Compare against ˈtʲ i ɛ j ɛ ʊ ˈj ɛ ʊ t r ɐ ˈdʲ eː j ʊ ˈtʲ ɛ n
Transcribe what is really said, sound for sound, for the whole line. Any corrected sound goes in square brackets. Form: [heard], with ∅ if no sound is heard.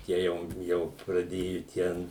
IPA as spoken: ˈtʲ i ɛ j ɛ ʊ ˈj ɛ ʊ [p] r ɐ ˈdʲ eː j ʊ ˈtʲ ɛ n